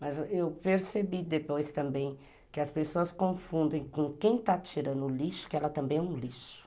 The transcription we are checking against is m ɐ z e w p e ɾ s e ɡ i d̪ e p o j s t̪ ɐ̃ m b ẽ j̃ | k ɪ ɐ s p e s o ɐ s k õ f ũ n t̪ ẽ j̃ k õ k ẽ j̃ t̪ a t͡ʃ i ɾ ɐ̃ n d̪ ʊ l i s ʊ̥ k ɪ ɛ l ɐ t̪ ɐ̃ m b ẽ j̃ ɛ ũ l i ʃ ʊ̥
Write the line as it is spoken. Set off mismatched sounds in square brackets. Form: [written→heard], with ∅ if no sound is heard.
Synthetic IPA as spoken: m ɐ z e w p e ɾ s e [ɡ→b] i d̪ e p o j s t̪ ɐ̃ m b ẽ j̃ | k ɪ ɐ s p e s o ɐ s k õ f ũ n [t̪→d̪] ẽ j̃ k õ k ẽ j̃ t̪ a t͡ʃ i ɾ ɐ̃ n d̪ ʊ l i [s→ʃ] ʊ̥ k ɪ ɛ l ɐ t̪ ɐ̃ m b ẽ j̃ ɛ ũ l i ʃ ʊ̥